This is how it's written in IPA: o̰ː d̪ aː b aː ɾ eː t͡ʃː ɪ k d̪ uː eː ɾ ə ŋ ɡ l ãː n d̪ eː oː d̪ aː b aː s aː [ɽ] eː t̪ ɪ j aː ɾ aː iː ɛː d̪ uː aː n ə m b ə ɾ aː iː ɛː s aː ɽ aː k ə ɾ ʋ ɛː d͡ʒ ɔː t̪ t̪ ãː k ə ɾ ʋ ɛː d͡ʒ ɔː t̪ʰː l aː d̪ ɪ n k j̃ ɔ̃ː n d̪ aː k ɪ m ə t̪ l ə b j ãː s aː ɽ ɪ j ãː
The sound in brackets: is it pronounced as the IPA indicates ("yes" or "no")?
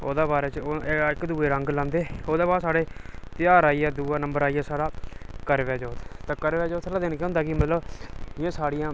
yes